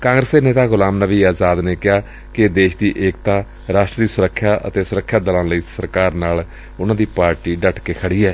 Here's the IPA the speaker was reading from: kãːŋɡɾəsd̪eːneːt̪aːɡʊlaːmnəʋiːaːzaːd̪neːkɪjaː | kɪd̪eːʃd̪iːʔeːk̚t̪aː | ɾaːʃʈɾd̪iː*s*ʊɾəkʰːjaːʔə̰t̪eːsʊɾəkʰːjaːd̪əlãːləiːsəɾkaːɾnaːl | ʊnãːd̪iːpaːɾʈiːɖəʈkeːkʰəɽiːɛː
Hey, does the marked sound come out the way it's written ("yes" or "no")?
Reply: yes